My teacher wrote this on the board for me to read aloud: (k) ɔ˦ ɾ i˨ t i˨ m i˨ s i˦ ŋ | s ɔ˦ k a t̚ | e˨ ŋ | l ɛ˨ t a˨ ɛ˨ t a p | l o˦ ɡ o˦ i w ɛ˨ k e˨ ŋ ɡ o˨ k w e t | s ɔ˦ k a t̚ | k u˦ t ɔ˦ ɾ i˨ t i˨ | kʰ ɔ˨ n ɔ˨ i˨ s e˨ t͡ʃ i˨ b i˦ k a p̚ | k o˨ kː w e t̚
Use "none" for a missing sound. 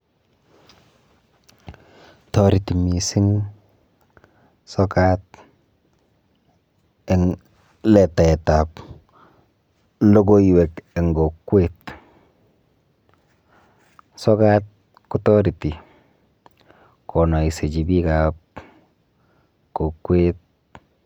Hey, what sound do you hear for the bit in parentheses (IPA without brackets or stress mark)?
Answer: t